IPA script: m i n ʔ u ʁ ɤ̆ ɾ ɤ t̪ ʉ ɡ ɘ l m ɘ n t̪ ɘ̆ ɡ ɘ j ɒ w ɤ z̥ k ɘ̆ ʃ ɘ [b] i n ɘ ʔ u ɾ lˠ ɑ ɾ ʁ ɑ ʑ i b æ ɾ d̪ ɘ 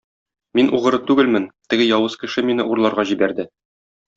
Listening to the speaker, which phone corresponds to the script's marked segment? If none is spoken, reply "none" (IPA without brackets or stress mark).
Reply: m